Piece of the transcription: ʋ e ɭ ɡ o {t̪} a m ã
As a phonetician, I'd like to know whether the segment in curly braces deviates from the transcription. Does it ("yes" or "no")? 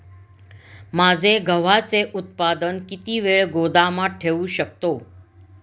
yes